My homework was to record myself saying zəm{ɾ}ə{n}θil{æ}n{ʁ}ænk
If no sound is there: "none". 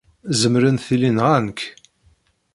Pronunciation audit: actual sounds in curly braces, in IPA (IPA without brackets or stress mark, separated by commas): ɾ, n, i, ʁ